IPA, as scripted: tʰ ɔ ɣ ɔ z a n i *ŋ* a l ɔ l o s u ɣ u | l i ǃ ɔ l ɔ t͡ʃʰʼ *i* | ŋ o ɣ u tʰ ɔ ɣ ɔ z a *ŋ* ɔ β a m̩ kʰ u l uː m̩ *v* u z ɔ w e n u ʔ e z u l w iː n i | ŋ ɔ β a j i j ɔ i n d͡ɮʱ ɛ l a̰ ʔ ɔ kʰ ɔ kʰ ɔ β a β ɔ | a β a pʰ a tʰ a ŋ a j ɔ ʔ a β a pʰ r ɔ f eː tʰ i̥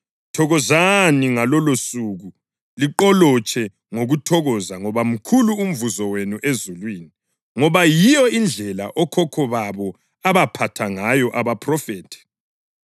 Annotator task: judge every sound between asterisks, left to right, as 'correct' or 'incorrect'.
correct, incorrect: ɛ, correct, correct

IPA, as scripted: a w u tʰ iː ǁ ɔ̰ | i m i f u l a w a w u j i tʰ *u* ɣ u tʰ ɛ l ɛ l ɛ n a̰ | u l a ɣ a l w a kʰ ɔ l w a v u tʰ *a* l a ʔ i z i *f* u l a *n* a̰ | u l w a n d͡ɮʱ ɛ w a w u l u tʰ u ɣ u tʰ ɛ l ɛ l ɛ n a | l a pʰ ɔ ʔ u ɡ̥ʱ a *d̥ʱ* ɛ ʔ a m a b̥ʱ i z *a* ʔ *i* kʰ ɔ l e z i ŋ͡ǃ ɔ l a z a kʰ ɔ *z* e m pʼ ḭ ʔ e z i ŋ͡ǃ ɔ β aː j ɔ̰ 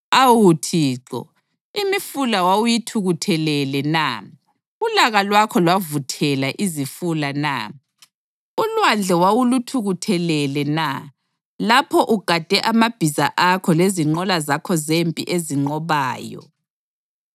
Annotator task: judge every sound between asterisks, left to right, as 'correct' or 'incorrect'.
correct, incorrect: ɛ, correct, correct, correct, correct, incorrect: a, correct

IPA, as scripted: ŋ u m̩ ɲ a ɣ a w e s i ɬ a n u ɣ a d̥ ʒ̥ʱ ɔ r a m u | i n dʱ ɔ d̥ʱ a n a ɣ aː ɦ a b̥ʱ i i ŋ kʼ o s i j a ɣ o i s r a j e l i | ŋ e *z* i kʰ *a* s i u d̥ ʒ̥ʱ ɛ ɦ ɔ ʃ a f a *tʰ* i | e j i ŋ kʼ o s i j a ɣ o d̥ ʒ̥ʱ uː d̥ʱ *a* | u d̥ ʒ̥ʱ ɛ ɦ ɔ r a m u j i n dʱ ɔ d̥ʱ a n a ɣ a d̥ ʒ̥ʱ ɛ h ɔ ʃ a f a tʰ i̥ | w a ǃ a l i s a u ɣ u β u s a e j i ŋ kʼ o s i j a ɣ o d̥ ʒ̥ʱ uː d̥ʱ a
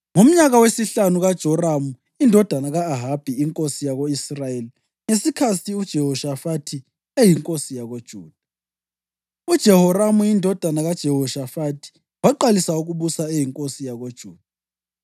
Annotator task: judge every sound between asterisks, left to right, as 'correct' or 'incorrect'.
incorrect: s, correct, correct, correct

